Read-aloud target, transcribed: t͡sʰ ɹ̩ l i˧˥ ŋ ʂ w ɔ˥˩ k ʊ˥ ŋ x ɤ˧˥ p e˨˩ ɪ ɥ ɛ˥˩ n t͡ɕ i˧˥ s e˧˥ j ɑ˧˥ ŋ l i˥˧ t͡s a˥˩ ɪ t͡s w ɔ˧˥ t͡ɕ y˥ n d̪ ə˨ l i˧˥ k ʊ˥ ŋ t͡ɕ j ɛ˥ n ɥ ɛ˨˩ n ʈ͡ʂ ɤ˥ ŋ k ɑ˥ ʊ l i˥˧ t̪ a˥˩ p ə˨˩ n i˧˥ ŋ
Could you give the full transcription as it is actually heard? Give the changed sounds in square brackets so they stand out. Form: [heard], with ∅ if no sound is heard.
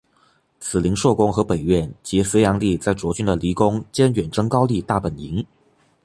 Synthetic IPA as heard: t͡sʰ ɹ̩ l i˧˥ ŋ ʂ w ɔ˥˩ k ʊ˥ ŋ x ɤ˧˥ p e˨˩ ɪ ɥ ɛ˥˩ n t͡ɕ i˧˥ s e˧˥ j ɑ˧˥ ŋ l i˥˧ t͡s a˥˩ ɪ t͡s w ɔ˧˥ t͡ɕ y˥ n d̪ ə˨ l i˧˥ k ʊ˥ ŋ t͡ɕ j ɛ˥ n ɥ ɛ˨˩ n ʈ͡ʂ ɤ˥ ŋ k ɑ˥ ʊ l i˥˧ t̪ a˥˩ p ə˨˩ n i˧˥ ŋ

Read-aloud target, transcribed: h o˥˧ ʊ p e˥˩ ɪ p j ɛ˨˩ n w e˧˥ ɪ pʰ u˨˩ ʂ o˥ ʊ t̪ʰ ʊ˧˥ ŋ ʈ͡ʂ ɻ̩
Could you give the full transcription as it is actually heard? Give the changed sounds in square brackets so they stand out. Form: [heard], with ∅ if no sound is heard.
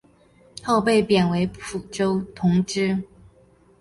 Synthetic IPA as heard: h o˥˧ ʊ p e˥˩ ɪ p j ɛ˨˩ n w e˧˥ ɪ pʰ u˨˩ [ʈ͡ʂ] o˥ ʊ t̪ʰ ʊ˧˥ ŋ ʈ͡ʂ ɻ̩

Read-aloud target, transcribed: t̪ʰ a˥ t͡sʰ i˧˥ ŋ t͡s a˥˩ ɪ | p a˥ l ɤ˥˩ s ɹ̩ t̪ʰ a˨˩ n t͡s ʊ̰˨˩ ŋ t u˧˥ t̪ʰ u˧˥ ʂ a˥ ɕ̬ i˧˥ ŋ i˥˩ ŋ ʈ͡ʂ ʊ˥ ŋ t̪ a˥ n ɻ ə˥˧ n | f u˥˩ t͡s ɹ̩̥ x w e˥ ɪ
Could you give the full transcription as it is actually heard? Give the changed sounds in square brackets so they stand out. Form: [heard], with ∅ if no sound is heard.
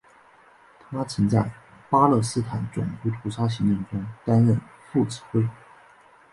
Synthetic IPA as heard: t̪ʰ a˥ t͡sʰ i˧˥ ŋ t͡s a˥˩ ɪ | p a˥ l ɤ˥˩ s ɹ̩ t̪ʰ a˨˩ n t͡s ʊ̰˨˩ ŋ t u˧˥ t̪ʰ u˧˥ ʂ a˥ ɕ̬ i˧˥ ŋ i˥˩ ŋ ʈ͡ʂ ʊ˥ ŋ t̪ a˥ n ɻ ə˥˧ n | f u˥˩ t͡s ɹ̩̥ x w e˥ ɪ

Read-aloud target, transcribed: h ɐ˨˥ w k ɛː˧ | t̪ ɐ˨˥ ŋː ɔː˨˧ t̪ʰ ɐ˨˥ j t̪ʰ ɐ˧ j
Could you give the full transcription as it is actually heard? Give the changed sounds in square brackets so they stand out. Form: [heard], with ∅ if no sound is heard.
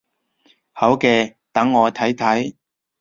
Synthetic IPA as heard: h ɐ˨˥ w k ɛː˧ | t̪ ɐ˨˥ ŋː ɔː˨˧ t̪ʰ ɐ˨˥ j t̪ʰ [ɐ˨˥] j

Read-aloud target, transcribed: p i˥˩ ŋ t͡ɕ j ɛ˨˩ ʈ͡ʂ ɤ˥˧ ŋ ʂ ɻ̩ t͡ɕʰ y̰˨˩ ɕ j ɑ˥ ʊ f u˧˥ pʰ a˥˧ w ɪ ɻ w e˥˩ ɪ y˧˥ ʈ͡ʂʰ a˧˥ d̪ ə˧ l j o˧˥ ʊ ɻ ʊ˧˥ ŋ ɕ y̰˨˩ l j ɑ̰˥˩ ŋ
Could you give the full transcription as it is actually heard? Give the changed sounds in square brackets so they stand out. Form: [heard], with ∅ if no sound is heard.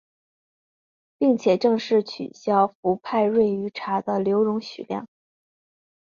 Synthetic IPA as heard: p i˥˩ ŋ [t͡ɕʰ] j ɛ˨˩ ʈ͡ʂ ɤ˥˧ ŋ ʂ ɻ̩ t͡ɕʰ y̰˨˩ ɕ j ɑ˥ ʊ f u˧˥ pʰ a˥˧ [∅] ɪ ɻ w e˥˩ ɪ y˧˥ ʈ͡ʂʰ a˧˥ d̪ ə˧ l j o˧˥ ʊ ɻ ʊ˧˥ ŋ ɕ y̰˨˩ l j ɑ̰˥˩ ŋ

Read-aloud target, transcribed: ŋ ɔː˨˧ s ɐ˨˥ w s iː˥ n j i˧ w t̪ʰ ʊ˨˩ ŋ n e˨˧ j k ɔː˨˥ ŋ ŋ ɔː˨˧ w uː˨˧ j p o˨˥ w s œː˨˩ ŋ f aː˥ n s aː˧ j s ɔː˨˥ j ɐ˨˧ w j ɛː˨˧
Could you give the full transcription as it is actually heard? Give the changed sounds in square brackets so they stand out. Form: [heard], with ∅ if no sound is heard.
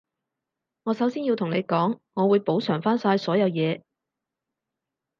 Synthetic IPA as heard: ŋ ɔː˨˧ s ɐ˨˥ w s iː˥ n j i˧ w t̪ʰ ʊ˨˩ ŋ n e˨˧ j k ɔː˨˥ ŋ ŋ ɔː˨˧ w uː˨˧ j p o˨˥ w s œː˨˩ ŋ f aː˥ n s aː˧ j s ɔː˨˥ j ɐ˨˧ w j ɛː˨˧

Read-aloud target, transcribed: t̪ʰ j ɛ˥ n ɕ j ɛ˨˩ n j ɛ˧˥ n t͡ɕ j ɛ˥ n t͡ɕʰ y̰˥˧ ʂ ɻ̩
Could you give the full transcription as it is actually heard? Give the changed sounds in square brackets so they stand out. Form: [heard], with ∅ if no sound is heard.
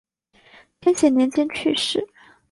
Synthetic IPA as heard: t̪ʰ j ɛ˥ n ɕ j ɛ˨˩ n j ɛ˧˥ n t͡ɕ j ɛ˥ n t͡ɕʰ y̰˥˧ ʂ ɻ̩

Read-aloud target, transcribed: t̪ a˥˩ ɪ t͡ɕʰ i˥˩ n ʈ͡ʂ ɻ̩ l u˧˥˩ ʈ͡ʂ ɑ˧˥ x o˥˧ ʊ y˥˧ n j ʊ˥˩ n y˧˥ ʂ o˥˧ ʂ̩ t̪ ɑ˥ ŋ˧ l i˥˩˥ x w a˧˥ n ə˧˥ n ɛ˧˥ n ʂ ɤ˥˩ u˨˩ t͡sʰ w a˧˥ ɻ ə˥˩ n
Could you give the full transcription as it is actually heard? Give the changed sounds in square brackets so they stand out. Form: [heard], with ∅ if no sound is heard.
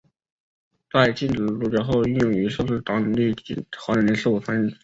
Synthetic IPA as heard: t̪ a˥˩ ɪ [t͡ɕ] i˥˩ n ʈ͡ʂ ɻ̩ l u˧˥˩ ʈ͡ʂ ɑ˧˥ x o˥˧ ʊ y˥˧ n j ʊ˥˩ [ŋ] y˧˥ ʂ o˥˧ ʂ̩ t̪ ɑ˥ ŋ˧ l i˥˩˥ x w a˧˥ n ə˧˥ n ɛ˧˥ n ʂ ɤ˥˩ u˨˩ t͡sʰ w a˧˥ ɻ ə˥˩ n

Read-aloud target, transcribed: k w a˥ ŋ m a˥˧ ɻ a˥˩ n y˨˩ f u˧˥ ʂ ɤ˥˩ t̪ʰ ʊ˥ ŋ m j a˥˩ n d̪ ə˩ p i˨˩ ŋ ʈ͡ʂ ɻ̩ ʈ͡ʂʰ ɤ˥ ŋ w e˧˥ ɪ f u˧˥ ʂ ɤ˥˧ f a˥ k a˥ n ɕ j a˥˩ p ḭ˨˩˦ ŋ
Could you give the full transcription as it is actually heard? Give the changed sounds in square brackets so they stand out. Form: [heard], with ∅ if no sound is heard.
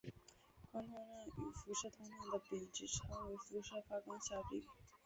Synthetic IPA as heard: k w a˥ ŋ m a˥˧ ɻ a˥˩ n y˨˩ f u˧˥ ʂ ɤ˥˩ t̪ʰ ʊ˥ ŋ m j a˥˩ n d̪ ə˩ p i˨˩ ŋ ʈ͡ʂ ɻ̩ ʈ͡ʂʰ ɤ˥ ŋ w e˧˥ ɪ f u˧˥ ʂ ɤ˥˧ f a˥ k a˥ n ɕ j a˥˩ p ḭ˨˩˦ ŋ

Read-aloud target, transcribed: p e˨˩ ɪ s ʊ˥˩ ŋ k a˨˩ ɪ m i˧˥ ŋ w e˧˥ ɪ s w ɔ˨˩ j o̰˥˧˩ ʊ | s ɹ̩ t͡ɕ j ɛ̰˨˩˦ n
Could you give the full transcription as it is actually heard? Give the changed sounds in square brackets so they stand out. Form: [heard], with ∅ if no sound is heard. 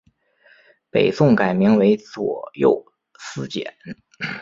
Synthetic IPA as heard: p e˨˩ ɪ s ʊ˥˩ ŋ k a˨˩ ɪ m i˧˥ ŋ w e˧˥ ɪ [t͡s] w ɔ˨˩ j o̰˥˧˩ ʊ | s ɹ̩ t͡ɕ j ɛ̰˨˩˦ n

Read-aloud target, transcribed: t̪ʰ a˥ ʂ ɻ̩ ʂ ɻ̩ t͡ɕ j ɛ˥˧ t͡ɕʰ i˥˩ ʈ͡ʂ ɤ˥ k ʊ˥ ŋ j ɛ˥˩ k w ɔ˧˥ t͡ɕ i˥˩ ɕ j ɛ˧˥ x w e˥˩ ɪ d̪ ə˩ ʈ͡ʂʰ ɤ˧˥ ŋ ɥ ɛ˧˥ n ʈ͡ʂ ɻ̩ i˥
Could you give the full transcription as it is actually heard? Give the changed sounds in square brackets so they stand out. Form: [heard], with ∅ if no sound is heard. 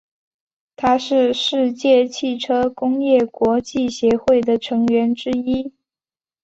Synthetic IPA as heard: t̪ʰ a˥ ʂ ɻ̩ ʂ ɻ̩ t͡ɕ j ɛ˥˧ t͡ɕʰ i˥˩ [ʈ͡ʂʰ] ɤ˥ k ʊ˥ ŋ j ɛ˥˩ k w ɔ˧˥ t͡ɕ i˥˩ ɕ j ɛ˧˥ x w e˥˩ ɪ d̪ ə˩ ʈ͡ʂʰ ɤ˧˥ ŋ ɥ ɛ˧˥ n ʈ͡ʂ ɻ̩ i˥

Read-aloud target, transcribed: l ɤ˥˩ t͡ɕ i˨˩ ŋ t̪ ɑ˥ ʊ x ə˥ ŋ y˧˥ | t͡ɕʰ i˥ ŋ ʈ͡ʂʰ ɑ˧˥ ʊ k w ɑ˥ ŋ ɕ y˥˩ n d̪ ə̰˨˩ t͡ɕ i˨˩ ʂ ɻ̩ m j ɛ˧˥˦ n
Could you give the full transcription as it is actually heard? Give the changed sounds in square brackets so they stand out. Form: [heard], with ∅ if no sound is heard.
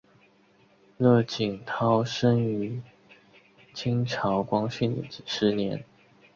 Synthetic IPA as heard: l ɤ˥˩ t͡ɕ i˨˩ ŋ [t̪ʰ] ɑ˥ ʊ [ʂ] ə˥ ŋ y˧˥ | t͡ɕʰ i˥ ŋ ʈ͡ʂʰ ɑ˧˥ ʊ k w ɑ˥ ŋ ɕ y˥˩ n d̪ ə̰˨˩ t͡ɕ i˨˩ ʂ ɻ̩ [n] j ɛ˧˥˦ n

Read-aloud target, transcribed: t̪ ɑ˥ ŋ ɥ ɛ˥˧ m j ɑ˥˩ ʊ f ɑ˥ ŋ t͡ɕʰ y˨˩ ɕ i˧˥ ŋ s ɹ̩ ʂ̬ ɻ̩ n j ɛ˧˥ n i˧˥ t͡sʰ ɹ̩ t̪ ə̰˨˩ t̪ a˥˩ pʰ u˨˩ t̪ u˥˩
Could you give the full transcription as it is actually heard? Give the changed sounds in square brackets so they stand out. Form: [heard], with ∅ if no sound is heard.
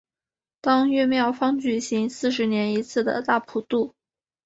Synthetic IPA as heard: t̪ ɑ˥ ŋ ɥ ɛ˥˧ m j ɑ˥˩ ʊ f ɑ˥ ŋ [t͡ɕ] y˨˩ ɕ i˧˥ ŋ s ɹ̩ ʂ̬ ɻ̩ n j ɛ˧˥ n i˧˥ t͡sʰ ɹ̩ [d̪] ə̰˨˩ t̪ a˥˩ pʰ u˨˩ t̪ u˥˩

